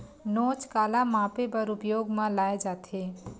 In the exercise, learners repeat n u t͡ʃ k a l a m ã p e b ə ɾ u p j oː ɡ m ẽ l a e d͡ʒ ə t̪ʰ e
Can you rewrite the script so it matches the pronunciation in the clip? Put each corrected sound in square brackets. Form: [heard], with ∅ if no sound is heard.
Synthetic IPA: n [o] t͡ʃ k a l a m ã p e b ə ɾ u p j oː ɡ m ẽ l a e d͡ʒ [a] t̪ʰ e